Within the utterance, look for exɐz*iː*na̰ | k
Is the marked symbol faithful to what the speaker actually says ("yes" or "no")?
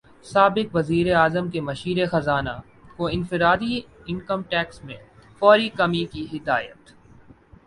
no